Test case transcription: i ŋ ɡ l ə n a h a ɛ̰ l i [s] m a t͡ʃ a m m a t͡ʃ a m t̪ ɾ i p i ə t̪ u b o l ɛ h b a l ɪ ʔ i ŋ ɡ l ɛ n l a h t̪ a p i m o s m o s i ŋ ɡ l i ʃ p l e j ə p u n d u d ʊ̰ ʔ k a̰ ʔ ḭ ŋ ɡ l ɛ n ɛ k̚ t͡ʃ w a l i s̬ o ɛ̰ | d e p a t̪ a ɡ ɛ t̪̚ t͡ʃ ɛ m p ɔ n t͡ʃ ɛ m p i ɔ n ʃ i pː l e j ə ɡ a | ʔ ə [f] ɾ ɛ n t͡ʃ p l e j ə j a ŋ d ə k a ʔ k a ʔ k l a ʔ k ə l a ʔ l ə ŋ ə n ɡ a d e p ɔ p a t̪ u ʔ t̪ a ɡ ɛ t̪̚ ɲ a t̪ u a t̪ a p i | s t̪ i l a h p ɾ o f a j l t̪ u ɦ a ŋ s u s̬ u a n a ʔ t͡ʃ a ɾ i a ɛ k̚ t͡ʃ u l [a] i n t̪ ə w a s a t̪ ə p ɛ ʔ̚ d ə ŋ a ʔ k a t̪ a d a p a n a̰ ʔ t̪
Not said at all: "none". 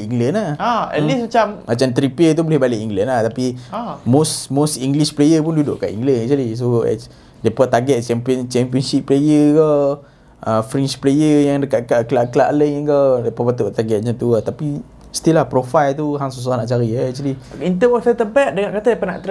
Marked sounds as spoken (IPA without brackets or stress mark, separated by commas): s, f, i